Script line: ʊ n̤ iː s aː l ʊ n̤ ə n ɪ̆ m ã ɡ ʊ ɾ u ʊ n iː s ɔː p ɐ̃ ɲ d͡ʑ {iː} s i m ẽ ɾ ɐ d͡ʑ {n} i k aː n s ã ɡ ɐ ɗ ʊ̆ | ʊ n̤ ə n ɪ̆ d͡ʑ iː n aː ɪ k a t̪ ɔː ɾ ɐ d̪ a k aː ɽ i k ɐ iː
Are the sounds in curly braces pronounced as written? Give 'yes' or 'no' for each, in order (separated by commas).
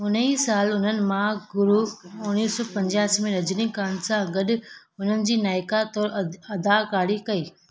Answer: no, yes